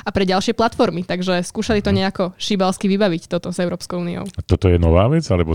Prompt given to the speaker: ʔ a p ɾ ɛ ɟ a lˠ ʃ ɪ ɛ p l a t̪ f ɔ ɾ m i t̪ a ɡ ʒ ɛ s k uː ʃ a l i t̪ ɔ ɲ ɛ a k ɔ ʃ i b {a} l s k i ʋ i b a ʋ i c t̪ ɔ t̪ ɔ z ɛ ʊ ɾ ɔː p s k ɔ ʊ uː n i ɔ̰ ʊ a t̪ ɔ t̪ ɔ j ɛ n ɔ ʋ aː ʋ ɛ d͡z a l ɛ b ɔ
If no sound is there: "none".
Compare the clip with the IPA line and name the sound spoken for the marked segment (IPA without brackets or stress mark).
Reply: a